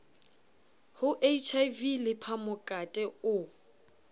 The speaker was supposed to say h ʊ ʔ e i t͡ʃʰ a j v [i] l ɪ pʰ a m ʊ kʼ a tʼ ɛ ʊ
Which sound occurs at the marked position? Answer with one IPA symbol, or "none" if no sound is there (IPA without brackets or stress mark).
i